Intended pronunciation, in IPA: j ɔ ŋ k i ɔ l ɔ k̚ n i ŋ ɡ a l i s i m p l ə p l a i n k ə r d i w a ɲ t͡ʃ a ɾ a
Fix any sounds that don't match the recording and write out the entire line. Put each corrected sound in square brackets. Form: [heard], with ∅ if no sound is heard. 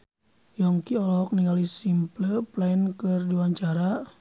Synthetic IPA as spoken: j ɔ ŋ k i ɔ l ɔ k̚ n i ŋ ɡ a l i s i m p l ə p l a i n k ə r d i w a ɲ t͡ʃ a ɾ a